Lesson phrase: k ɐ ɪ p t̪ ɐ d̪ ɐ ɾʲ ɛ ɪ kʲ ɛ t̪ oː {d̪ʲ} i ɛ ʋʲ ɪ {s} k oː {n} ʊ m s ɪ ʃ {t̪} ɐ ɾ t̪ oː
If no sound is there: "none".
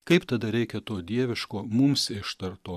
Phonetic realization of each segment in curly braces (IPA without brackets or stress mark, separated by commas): d̪ʲ, ʃ, m, t̪